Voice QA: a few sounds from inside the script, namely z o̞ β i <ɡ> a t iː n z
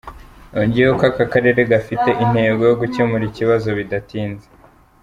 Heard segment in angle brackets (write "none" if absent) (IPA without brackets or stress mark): d